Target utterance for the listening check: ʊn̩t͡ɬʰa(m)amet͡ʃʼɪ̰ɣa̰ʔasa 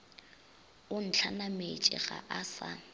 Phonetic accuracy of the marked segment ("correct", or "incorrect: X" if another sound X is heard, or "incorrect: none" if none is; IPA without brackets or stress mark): incorrect: n